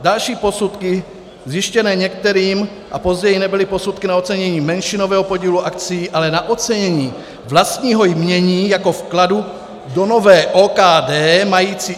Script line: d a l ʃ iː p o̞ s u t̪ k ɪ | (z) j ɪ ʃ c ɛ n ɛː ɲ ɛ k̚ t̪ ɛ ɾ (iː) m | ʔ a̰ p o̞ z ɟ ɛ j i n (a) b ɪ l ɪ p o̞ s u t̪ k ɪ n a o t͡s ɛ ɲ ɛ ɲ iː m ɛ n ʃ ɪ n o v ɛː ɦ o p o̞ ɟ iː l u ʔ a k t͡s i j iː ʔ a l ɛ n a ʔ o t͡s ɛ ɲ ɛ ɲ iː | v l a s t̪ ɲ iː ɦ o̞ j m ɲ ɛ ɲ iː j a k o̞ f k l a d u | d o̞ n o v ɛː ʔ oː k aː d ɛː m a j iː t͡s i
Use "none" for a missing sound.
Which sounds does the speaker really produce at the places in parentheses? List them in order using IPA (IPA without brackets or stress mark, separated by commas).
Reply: z, iː, ɛ